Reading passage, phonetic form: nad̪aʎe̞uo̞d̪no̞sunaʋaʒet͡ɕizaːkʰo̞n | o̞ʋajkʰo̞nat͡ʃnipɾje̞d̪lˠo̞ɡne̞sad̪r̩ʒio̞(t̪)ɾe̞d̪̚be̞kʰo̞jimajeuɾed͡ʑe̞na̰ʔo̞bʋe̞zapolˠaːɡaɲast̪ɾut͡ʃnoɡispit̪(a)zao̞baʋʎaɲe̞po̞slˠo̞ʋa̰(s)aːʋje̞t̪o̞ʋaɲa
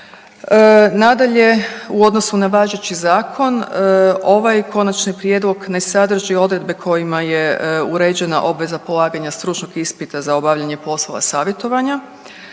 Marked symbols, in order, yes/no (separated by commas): no, yes, yes